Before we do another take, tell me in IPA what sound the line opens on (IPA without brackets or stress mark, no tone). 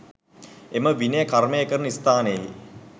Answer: e